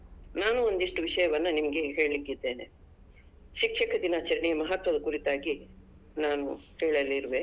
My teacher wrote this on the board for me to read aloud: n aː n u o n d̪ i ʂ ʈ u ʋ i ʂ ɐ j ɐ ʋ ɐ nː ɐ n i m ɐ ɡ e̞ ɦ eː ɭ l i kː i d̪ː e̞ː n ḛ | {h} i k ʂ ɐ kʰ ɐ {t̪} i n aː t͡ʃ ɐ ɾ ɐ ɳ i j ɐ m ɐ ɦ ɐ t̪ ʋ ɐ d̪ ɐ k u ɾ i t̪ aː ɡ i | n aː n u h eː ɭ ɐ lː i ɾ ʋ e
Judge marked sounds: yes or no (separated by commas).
no, no